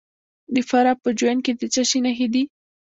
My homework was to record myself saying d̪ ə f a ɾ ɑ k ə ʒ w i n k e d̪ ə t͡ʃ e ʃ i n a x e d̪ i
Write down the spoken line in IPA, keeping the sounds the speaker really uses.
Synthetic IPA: d̪ ə f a ɾ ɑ p ə d͡ʒ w a n k e d̪ ə t͡ʃ a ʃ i n a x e d̪ i